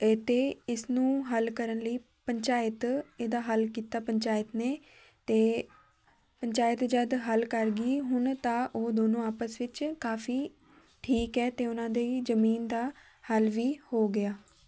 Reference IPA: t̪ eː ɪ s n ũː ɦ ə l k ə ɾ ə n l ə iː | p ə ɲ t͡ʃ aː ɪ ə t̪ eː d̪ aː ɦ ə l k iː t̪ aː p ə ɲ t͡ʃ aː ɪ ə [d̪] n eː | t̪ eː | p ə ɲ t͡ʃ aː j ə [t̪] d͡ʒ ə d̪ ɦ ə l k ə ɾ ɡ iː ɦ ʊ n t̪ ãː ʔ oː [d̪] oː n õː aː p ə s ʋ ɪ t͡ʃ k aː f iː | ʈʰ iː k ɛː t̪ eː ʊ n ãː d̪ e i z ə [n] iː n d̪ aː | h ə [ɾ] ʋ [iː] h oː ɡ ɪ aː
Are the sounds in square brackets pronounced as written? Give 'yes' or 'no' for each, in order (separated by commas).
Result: no, yes, yes, no, no, yes